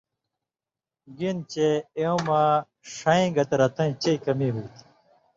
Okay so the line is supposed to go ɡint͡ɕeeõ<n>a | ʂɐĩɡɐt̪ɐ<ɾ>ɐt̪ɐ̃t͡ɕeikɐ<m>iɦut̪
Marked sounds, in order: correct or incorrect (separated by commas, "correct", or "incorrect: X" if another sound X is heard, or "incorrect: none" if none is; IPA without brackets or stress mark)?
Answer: incorrect: m, correct, correct